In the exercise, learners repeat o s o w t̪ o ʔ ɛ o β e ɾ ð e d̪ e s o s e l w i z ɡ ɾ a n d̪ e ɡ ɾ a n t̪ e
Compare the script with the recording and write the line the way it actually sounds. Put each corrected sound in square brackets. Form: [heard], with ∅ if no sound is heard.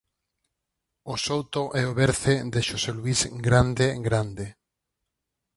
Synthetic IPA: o s o w t̪ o ʔ ɛ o β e ɾ [θ] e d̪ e [ʃ] o s e l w i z ɡ ɾ a n d̪ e ɡ ɾ a n [d̪] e

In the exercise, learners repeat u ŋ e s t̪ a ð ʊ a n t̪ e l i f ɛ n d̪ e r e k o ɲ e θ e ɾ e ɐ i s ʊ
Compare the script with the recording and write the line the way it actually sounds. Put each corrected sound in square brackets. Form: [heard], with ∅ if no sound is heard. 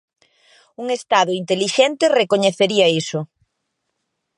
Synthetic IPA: u ŋ e s t̪ a ð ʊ [i] n t̪ e l i [ʃ] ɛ n [t̪] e r e k o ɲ e θ e ɾ [i] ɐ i s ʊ

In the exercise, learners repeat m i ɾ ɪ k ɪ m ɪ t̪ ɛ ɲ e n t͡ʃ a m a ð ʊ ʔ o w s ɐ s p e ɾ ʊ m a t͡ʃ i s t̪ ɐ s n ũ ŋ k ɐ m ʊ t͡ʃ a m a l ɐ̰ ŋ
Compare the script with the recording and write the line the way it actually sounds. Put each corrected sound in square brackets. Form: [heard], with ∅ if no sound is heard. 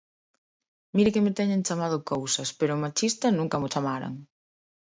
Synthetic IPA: m i ɾ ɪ k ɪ m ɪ t̪ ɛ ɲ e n t͡ʃ a m a ð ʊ [k] o w s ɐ s p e ɾ ʊ m a t͡ʃ i s t̪ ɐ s n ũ ŋ k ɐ m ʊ t͡ʃ a m a [ɾ] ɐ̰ ŋ

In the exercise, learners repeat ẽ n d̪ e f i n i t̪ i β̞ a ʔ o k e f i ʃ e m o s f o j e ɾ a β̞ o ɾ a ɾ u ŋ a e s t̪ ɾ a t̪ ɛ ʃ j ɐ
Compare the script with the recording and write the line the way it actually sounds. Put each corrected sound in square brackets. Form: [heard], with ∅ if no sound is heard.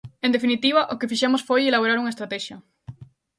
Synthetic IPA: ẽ n d̪ e f i n i t̪ i β̞ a ʔ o k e f i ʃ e m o s f o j e [l] a β̞ o ɾ a ɾ u ŋ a e s t̪ ɾ a t̪ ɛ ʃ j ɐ

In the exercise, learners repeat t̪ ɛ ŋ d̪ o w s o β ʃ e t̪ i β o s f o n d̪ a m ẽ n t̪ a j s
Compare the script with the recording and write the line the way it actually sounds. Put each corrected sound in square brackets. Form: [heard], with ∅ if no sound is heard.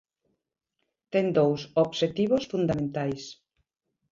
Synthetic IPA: t̪ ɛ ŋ d̪ o w s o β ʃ e t̪ i β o s f [u] n d̪ a m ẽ n t̪ a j s

